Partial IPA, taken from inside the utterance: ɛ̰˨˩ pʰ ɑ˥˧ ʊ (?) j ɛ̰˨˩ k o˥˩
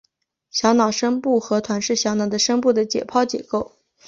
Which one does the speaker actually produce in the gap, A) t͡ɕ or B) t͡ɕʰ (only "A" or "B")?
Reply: A